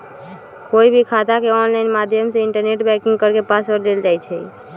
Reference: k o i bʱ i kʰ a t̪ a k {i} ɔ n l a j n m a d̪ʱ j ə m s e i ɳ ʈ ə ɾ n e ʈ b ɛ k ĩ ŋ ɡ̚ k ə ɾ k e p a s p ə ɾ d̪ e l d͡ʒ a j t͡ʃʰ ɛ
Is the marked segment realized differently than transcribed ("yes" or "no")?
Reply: yes